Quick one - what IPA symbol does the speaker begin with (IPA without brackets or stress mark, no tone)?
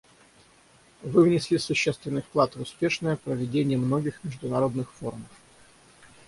v